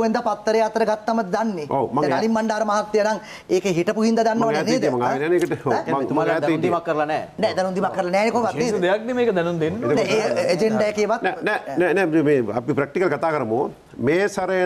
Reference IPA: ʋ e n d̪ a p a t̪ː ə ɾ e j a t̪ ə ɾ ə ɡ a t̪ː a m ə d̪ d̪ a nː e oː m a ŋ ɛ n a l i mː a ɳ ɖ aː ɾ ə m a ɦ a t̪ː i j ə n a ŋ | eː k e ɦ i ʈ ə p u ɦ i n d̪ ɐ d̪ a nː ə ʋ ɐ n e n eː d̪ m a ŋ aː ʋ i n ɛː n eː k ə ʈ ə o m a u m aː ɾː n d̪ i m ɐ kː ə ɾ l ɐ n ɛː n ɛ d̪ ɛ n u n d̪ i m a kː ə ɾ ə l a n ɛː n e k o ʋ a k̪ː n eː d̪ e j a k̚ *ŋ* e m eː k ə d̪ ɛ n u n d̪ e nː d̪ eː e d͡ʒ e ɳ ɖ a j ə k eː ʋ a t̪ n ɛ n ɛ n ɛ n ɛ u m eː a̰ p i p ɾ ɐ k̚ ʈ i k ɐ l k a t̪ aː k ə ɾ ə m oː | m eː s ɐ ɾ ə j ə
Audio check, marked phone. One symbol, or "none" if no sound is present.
n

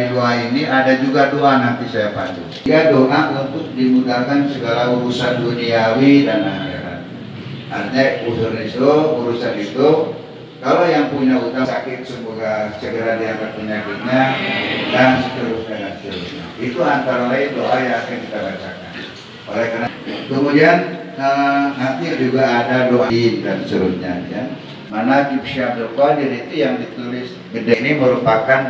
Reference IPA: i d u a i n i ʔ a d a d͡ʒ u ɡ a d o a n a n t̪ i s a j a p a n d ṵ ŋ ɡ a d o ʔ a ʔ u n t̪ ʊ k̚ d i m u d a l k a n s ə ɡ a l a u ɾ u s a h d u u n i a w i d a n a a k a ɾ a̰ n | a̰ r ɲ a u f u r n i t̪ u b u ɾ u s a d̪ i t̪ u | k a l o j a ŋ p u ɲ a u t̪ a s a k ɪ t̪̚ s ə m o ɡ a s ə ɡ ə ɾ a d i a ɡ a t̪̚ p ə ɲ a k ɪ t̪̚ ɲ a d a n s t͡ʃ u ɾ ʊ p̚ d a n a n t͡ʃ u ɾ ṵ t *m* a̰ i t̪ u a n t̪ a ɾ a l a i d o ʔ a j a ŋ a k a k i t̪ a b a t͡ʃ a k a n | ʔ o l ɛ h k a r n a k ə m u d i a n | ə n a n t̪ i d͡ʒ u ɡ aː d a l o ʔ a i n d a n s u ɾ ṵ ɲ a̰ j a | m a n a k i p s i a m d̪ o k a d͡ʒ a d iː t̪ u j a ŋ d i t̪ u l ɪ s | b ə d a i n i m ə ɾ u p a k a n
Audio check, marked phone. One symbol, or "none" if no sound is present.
ɲ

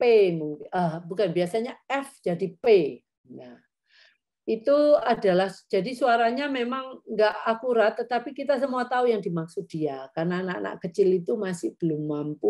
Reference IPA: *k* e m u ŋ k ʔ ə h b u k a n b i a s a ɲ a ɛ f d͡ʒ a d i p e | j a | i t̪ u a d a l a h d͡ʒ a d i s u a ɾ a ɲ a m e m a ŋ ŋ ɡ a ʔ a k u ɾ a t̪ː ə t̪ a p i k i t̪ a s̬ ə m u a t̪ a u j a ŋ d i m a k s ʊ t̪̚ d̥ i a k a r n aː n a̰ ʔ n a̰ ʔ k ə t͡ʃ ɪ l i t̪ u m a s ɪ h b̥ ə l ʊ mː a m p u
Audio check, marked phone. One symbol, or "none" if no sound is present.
p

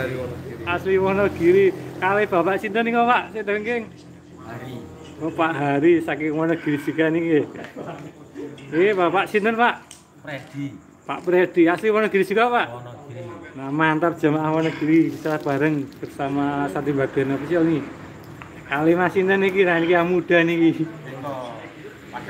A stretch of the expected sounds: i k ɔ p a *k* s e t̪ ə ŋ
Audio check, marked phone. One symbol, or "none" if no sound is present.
ʔ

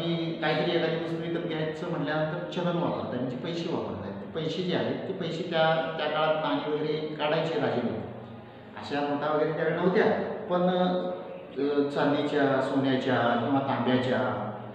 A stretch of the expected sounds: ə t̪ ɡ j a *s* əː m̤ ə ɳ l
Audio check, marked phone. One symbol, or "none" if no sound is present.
t͡s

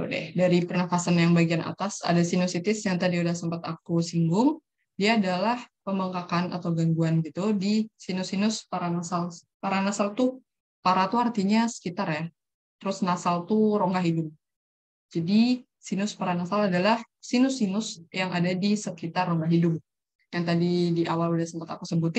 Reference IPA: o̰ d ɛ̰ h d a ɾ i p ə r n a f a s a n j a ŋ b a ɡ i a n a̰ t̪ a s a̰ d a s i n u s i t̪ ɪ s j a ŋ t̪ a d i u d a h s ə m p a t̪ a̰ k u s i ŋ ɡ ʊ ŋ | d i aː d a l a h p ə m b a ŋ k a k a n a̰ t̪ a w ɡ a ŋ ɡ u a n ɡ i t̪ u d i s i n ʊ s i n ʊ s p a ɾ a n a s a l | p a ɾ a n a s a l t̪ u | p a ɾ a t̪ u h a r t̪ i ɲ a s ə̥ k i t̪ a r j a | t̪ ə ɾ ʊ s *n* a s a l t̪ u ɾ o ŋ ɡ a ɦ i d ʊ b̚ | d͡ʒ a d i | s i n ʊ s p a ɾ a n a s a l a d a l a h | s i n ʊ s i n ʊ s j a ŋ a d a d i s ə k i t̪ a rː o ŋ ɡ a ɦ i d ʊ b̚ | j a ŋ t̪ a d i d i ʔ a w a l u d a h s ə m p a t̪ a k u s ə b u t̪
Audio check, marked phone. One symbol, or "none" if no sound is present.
n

